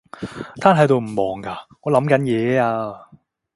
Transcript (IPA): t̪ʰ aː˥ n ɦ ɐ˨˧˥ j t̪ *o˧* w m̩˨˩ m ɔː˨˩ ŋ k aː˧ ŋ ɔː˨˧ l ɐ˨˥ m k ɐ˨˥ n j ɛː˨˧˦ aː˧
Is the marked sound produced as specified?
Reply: yes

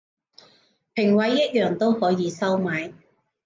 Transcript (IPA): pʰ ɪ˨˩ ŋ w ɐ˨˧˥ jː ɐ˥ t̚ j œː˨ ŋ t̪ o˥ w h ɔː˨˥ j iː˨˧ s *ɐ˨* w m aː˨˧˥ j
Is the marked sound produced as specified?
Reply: no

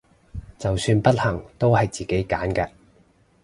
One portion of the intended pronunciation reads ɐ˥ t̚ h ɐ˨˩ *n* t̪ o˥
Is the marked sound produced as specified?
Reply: no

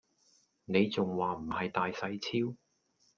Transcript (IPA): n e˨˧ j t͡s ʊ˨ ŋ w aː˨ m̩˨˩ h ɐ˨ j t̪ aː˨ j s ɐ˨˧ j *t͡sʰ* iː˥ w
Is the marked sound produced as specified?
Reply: yes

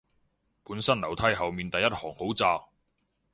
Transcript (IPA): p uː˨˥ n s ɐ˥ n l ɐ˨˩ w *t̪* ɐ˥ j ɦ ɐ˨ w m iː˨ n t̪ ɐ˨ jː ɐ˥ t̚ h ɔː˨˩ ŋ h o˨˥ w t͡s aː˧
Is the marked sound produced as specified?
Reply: no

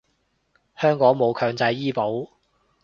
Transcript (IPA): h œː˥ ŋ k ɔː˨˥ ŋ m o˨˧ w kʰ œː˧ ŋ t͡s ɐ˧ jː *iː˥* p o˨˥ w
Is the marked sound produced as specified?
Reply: yes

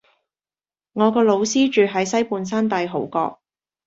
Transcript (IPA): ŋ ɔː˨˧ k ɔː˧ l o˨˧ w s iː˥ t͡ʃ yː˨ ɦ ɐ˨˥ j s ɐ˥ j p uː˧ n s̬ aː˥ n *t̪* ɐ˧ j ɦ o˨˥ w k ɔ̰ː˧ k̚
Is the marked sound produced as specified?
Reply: yes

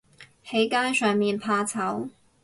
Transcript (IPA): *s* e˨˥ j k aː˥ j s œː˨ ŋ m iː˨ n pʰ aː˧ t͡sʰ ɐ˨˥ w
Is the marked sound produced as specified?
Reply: no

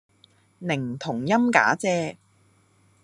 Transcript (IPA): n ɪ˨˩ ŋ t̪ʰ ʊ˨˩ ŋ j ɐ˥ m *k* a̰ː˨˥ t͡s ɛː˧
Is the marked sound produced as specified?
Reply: yes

